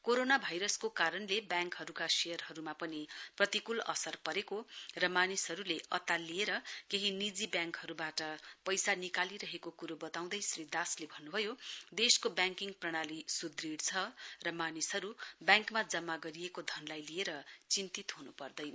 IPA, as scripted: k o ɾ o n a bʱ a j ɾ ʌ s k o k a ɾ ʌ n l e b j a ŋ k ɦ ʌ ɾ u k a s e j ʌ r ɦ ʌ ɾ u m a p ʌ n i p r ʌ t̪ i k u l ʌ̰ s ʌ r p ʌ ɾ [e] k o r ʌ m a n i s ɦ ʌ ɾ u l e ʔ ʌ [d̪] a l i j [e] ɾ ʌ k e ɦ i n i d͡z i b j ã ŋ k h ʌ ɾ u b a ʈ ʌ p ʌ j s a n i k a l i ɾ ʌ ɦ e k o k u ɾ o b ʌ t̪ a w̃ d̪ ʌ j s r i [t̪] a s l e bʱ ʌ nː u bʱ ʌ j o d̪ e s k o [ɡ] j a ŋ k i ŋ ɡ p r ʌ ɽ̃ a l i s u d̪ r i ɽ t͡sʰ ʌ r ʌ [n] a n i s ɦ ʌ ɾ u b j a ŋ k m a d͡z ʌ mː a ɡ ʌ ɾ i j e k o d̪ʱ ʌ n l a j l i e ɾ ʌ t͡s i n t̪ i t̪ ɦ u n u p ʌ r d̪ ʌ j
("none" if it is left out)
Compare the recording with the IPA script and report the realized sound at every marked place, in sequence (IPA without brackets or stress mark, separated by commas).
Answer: e, t̪, e, d̪, b, m